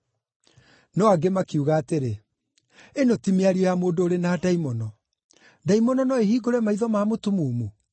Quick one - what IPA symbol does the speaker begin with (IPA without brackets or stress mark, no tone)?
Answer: n